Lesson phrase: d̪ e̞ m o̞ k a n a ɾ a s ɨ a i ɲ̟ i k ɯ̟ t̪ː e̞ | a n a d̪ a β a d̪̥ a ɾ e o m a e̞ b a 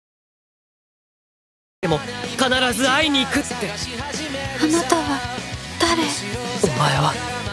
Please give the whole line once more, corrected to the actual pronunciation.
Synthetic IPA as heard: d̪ e̞ m o̞ k a n a ɾ a z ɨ a i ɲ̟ iː k ɯ̟ t̪ː e̞ | a n a t̪ a β a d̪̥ a ɾ e o m a e̞ β a

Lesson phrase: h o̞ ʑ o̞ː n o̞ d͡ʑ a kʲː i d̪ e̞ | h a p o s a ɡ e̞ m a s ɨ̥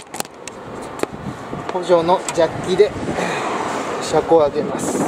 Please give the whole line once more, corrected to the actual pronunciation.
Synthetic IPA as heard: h o̞ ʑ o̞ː n o̞ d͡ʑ a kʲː i d̪ e̞ | ɕ a k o a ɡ e̞ m a s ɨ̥

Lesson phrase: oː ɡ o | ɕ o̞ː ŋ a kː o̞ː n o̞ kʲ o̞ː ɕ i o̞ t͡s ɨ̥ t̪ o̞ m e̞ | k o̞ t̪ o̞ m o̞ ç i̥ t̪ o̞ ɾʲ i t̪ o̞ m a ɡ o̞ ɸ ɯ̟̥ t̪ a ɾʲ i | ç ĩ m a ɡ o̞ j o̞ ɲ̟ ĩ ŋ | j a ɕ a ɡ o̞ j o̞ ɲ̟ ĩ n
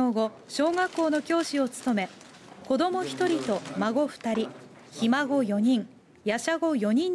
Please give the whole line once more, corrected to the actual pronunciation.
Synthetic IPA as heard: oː ɡ o | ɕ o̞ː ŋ a kː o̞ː n o̞ kʲ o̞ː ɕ i o̞ t͡s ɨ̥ t̪ o̞ m e̞ | k o̞ d̪ o̞ m o̞ ç i̥ t̪ o̞ ɾʲ i t̪ o̞ m a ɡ o̞ ɸ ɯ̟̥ t̪ a ɾʲ i | ç i m a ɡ o̞ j o̞ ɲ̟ ĩ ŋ | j a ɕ a ɡ o̞ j o̞ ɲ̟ ĩ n

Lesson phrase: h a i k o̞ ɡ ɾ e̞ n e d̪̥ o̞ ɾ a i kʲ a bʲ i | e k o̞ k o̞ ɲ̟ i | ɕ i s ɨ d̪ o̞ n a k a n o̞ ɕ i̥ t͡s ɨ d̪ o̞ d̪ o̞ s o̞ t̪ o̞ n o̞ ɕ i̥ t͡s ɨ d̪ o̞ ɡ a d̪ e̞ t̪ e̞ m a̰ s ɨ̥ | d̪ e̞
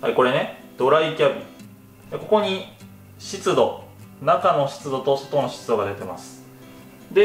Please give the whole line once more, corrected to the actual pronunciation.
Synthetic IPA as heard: h a i k o̞ ɾ e̞ n e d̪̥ o̞ ɾ a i kʲ a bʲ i | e k o̞ k o̞ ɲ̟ i | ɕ i t͡s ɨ d̪ o̞ n a k a n o̞ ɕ i̥ t͡s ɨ d̪ o̞ t̪ o̞ s o̞ t̪ o̞ n o̞ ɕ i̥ t͡s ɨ d̪ o̞ ɡ a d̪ e̞ t̪ e̞ m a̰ s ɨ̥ | d̪ e̞

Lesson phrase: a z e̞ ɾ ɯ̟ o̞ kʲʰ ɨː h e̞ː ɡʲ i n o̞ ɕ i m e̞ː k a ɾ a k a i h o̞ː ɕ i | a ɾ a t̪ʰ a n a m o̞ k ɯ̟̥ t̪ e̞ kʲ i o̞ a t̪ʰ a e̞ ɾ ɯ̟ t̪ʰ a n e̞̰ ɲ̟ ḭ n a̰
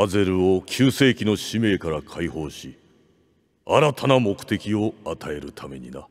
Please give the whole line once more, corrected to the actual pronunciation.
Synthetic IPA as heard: a z e̞ ɾ ɯ̟ o̞ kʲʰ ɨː s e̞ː kʲ i n o̞ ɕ i m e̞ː k a ɾ a kʰ a i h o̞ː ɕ i | a ɾ a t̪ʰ a n a m o̞ k ɯ̟̥ t̪ e̞ kʲ i o̞ a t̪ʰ a e̞ ɾ ɯ̟ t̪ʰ a m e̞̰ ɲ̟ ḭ n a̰

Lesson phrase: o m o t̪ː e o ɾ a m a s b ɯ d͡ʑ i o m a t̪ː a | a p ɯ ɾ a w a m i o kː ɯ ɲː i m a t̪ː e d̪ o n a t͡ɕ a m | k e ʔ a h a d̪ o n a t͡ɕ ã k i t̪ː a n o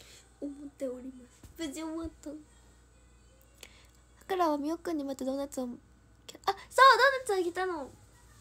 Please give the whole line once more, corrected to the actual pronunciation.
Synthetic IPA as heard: o m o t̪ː e o ɾ i m a s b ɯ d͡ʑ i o m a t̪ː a | a k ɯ ɾ a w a m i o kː ɯ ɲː i m a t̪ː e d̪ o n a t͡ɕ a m | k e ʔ a s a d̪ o n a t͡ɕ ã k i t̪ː a n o

